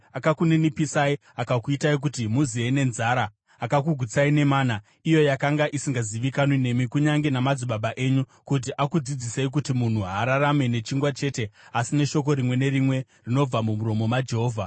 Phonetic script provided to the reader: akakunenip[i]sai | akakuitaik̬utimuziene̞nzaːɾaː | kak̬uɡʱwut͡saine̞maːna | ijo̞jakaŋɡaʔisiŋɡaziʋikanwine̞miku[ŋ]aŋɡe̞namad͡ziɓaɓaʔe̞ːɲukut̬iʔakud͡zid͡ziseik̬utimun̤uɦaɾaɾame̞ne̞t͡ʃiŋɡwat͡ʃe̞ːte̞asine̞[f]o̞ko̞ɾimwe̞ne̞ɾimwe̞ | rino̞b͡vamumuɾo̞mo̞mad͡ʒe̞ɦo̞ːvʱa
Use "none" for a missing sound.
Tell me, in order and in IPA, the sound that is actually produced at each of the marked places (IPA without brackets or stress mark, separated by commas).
i, ɲ, ʃ